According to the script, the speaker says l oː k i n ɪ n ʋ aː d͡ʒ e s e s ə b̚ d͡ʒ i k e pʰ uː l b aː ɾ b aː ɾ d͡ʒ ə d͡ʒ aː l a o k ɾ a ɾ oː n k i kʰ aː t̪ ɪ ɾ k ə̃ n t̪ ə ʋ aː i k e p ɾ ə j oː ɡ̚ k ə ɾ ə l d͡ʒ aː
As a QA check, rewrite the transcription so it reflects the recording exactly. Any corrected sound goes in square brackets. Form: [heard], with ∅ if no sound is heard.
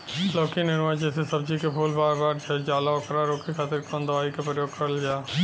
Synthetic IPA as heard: l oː k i n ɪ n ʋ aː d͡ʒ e s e s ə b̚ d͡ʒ i k e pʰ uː l b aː ɾ b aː ɾ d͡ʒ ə d͡ʒ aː l a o k ɾ a ɾ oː [∅] k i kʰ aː t̪ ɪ ɾ k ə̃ n [d̪] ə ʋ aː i k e p ɾ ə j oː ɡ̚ k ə ɾ ə l d͡ʒ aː